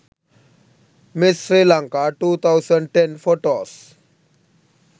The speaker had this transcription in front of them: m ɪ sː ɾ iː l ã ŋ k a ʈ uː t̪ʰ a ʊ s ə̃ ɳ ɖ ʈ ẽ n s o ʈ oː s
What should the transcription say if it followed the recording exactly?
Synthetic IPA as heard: m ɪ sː ɾ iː l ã ŋ k a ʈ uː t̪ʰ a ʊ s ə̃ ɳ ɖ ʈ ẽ n f o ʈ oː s

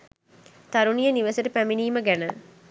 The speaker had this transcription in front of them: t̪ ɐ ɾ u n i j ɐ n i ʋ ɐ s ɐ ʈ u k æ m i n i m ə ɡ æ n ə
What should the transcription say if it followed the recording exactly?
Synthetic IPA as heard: t̪ ɐ ɾ u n i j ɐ n i ʋ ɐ s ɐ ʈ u p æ m i n iː m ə ɡ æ n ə

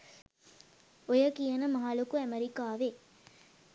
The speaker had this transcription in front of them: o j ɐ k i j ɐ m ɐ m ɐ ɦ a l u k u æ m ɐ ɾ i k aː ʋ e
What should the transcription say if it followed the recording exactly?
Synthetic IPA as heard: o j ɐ k i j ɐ n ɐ m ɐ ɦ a l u k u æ m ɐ ɾ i k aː ʋ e

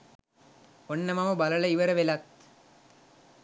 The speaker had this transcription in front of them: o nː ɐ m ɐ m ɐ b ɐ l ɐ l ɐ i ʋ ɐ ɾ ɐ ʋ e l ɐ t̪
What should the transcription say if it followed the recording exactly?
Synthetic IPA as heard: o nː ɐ m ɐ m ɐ b ɐ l ɐ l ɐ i ʋ ɐ ɾ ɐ ʋ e l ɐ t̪

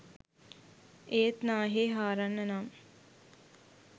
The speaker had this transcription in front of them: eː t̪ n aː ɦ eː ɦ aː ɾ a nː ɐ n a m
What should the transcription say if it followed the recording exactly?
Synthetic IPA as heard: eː t̪ n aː ɦ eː ɦ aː ɾ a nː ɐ n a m

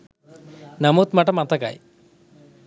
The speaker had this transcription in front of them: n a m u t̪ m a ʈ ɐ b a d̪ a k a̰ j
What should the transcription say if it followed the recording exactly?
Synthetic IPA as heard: n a m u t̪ m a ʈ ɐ m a t̪ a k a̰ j

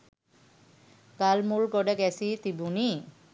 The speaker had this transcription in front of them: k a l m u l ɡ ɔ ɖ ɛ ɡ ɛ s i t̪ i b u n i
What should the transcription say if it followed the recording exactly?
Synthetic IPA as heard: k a l m u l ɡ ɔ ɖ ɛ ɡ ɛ s i t̪ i b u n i

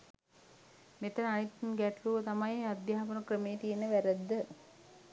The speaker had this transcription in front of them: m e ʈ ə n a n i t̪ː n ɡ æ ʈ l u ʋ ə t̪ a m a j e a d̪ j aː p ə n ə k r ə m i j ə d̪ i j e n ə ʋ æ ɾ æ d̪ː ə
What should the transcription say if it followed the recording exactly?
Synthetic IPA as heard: m e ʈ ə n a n i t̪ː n ɡ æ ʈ l u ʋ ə t̪ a m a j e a d̪ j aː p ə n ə k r ə m e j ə t̪ i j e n ə ʋ æ ɾ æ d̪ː ə

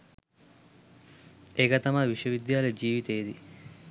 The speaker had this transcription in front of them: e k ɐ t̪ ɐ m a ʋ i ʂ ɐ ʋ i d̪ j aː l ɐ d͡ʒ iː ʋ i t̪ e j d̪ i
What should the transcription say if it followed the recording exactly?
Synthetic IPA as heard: e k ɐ t̪ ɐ m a ʋ i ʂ ɐ ʋ i d̪ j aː l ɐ d͡ʒ iː ʋ i t̪ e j d̪ i

